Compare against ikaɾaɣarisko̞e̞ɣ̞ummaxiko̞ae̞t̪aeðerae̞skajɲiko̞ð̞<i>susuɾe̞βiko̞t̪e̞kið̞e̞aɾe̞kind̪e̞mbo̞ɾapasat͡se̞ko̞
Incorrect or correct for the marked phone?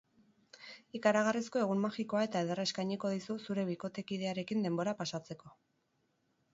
correct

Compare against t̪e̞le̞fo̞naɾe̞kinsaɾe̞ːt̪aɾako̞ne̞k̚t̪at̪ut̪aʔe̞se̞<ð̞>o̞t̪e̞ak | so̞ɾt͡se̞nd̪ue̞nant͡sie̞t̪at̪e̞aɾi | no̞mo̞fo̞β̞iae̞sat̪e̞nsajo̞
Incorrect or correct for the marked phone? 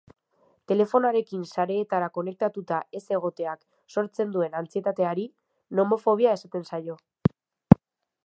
incorrect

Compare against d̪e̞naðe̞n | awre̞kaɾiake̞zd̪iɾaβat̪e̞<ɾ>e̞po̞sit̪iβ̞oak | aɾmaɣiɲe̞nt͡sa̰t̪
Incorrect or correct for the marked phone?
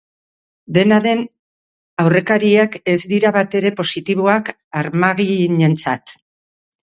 correct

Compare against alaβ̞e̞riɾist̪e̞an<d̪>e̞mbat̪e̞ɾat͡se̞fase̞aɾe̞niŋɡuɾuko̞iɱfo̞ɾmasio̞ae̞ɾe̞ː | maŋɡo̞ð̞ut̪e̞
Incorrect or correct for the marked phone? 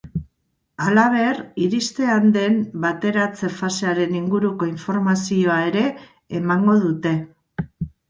correct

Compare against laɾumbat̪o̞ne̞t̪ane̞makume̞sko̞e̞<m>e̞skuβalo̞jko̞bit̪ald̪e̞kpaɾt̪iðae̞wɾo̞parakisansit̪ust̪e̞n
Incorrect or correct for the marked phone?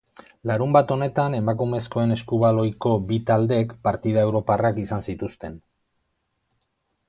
incorrect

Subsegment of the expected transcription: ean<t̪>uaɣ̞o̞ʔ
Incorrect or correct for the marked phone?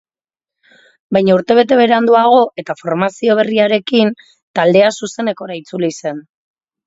incorrect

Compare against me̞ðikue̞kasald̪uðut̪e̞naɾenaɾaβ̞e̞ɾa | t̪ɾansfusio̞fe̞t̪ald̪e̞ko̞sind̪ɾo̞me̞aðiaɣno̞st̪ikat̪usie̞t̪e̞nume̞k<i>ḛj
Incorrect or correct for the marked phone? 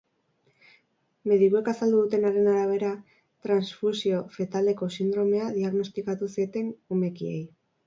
correct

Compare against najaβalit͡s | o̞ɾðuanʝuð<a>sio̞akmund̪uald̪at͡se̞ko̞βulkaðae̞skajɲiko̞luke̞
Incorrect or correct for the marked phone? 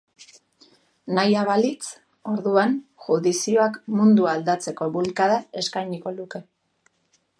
incorrect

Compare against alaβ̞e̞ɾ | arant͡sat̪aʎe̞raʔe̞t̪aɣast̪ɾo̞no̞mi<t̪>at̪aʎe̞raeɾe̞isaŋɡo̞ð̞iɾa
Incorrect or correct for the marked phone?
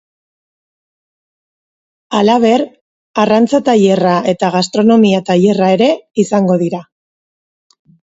incorrect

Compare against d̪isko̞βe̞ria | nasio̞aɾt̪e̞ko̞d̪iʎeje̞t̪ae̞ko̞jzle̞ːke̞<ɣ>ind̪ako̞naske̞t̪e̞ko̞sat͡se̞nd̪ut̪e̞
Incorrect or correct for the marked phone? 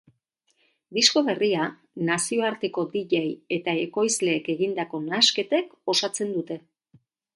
correct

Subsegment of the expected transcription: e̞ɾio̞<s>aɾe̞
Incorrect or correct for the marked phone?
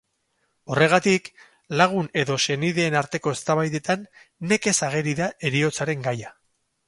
incorrect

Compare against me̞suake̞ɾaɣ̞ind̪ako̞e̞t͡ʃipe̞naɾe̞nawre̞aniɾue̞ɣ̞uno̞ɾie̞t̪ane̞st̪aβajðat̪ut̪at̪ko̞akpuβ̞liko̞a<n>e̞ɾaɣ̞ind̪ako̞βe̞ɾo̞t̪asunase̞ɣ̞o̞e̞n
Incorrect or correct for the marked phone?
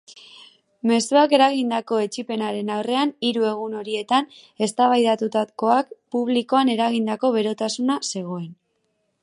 correct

